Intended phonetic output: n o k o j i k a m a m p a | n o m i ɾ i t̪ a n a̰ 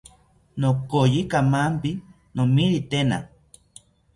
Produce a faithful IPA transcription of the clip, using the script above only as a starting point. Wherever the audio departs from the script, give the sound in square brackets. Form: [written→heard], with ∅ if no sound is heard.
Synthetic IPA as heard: n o k o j i k a m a m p [a→i] | n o m i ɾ i t̪ [a→e] n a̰